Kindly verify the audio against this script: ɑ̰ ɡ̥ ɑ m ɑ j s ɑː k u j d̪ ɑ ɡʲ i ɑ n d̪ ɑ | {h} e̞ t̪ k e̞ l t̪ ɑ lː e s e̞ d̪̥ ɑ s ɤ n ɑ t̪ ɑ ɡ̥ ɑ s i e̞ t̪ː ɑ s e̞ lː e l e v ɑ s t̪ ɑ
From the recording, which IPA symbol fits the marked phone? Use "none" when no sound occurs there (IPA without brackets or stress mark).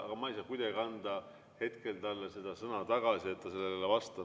h